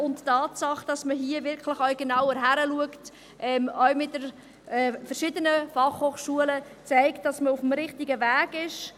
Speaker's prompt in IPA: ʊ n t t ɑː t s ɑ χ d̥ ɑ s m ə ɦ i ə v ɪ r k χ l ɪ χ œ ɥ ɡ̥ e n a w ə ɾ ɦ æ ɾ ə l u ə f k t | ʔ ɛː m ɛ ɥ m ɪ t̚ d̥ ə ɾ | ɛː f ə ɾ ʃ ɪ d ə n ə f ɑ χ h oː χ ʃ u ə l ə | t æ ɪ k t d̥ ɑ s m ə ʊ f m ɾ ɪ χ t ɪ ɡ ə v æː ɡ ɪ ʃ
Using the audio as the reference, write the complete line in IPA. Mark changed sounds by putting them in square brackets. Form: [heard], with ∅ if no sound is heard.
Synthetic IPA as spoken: ʊ n t t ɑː t s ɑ χ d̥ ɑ s m ə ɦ i ə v ɪ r k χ l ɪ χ œ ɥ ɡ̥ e n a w ə ɾ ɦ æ ɾ ə l u ə [∅] k t | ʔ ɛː m [œ] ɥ m ɪ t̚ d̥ ə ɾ | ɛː f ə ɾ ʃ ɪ d ə n ə f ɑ χ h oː χ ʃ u ə l ə | [t͡s] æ ɪ k t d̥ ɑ s m ə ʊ f m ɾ ɪ χ t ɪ ɡ ə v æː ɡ ɪ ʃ